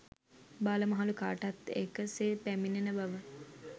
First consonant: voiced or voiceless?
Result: voiced